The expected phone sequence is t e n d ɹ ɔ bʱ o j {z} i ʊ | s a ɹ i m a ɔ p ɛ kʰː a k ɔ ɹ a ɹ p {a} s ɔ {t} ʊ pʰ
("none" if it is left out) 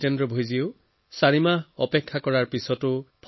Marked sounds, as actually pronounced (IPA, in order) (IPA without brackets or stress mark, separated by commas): z, i, t